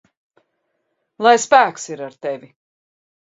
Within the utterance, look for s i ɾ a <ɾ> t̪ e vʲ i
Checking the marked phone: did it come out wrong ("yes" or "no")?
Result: no